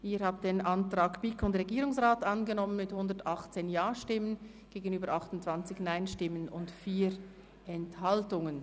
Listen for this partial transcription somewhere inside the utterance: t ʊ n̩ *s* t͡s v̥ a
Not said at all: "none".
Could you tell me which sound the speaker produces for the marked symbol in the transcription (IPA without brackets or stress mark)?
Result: t